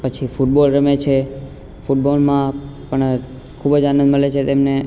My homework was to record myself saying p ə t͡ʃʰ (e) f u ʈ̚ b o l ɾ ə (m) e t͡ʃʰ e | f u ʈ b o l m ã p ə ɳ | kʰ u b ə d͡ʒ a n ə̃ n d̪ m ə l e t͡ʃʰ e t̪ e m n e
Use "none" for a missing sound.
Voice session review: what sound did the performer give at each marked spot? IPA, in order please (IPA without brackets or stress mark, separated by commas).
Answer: i, m